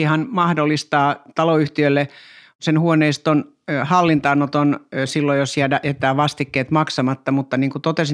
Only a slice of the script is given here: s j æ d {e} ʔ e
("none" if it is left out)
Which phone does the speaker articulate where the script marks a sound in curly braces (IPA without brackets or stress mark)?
æ